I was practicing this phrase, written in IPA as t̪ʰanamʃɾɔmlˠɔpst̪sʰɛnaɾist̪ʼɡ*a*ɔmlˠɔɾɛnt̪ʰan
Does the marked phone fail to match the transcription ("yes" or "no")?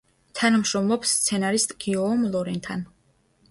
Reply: yes